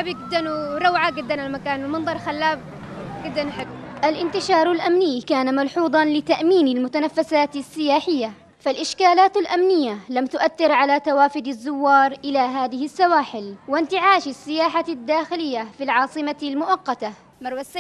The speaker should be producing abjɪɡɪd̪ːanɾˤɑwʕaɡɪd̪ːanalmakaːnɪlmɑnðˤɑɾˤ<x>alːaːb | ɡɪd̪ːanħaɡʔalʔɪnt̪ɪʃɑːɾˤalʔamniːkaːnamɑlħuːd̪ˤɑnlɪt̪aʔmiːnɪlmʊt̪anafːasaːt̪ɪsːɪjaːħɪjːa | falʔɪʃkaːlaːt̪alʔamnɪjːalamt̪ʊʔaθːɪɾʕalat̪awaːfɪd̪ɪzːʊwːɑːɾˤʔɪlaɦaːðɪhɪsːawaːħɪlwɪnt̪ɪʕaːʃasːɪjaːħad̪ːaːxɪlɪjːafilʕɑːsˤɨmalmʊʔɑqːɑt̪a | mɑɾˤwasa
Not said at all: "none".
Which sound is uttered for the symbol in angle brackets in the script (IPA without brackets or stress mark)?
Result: x